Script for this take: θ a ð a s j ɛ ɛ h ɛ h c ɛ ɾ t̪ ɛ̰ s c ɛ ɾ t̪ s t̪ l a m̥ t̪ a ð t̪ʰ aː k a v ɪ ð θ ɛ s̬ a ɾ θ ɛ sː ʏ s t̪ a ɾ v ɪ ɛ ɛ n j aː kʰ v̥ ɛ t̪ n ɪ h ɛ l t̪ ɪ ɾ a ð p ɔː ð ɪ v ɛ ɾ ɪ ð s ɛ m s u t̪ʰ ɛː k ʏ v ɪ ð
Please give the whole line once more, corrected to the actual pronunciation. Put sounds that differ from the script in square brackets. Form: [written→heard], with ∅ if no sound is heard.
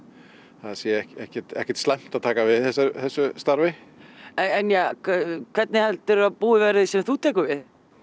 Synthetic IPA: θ a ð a s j ɛ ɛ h ɛ h c ɛ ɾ t̪ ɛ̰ [s→h] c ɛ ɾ t̪ s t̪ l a m̥ t̪ a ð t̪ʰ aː k a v ɪ ð θ ɛ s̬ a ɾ θ ɛ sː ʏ s t̪ a ɾ v ɪ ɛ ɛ n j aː kʰ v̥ ɛ t̪ n ɪ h ɛ l t̪ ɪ ɾ a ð p [ɔː→uː] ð ɪ v ɛ ɾ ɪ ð s ɛ m [s→θ] u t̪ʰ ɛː k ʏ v ɪ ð